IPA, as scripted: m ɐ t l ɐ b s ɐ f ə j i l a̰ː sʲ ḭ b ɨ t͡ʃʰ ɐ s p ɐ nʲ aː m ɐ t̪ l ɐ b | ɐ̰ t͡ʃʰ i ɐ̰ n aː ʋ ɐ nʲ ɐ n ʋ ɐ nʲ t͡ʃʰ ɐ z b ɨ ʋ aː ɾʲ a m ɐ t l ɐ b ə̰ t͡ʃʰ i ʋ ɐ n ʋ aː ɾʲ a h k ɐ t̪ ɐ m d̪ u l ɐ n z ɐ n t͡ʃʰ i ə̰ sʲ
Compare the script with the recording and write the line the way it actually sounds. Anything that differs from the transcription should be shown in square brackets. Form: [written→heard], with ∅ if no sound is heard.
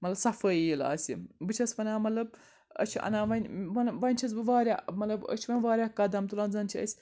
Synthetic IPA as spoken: m ɐ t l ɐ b s ɐ f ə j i l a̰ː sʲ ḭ b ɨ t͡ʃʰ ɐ s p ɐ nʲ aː m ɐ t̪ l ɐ b | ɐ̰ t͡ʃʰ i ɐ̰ n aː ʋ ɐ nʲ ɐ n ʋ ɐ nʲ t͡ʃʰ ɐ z b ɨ ʋ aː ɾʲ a m ɐ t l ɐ b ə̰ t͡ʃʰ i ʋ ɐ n ʋ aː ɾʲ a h k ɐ [t̪→d̪] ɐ m [d̪→t̪] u l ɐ n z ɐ n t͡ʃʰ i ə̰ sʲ